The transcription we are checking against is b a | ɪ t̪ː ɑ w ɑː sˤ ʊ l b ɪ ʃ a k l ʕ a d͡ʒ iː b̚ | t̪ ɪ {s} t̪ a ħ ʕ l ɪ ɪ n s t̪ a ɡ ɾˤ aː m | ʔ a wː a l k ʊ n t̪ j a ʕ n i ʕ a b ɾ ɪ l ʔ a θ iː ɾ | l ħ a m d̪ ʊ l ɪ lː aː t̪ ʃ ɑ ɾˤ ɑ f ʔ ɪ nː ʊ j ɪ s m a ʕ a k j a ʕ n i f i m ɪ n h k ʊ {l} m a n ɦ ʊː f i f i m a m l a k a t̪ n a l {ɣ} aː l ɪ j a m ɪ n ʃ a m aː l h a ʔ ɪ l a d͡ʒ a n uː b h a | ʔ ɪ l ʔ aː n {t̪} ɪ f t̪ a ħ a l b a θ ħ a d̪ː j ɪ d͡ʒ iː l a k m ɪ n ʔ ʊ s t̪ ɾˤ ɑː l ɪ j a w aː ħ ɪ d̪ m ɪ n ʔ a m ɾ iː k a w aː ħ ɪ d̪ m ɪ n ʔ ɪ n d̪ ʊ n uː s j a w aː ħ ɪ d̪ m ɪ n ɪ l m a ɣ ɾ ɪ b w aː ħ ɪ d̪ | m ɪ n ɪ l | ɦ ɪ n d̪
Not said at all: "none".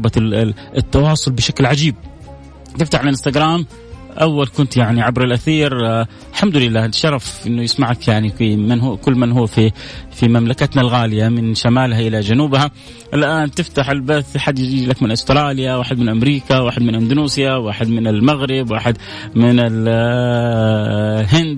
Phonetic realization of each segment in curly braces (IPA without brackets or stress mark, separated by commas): f, lː, ɣ, t̪